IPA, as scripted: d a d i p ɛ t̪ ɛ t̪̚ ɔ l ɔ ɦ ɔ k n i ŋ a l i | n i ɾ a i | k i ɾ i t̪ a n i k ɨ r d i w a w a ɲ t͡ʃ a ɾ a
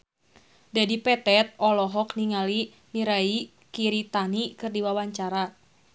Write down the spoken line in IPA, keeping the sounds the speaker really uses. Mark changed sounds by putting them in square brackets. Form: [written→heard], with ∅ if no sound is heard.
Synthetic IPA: d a d i p ɛ t̪ ɛ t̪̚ ɔ l ɔ ɦ ɔ k n i ŋ a l i | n i ɾ a i | k i ɾ i t̪ a n i k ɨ r d i w a w a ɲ t͡ʃ a ɾ a